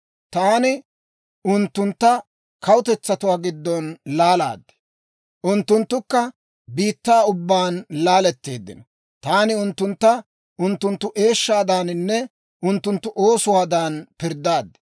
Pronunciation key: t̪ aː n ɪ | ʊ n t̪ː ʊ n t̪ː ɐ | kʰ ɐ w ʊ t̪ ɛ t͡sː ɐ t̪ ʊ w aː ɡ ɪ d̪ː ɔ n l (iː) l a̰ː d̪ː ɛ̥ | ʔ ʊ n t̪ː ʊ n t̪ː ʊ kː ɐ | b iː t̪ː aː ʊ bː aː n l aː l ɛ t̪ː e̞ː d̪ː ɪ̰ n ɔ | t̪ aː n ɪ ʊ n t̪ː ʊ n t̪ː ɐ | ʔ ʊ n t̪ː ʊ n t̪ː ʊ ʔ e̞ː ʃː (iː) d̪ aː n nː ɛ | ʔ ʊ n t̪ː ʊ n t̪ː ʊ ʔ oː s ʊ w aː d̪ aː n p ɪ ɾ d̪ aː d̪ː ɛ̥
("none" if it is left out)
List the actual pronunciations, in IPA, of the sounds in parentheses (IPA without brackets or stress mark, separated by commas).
aː, aː